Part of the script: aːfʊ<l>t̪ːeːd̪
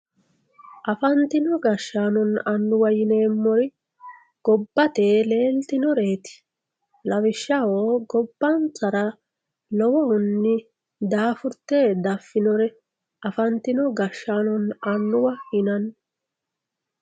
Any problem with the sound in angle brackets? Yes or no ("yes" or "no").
yes